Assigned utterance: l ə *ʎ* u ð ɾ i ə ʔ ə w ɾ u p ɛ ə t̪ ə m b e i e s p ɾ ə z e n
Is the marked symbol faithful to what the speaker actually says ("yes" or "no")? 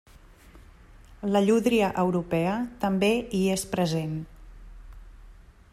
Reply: yes